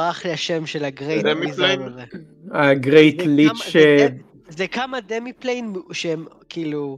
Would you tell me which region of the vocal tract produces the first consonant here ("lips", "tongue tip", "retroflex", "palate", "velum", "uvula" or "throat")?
uvula